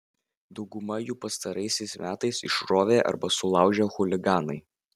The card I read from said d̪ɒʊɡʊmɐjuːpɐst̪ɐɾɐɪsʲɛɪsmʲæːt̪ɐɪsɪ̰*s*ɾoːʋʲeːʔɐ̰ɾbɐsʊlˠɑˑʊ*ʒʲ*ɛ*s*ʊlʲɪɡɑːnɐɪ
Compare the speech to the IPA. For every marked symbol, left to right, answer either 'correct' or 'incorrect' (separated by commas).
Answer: incorrect, correct, incorrect